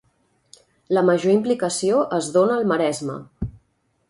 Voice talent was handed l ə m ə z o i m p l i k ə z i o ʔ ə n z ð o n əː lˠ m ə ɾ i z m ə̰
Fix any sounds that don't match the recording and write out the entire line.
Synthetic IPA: l ə m ə ʒ o i m p l i k ə s i o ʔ ə z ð o n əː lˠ m ə ɾ ɛ z m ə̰